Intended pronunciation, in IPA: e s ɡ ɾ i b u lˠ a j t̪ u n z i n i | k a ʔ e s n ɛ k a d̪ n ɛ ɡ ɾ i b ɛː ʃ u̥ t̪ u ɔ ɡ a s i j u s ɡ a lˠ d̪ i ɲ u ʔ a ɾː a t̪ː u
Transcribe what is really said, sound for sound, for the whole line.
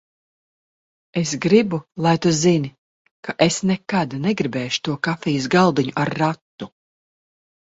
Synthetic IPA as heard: e s ɡ ɾ i b u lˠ a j t̪ u z i n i | k a ʔ e s n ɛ k a d̪ n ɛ ɡ ɾ i b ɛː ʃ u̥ t̪ u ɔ k a f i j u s ɡ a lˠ d̪ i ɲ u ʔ a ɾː a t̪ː u